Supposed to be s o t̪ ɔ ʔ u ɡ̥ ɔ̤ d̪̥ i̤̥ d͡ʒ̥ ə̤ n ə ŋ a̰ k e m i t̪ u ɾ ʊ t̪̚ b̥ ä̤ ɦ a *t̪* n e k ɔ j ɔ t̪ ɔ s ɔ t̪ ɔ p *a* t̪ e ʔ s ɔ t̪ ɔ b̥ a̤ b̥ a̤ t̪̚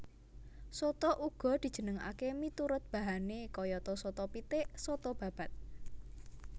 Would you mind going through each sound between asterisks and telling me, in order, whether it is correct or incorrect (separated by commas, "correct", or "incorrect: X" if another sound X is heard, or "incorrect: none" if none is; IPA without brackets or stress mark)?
incorrect: none, incorrect: i